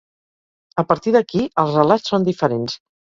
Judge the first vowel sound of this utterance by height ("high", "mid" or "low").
mid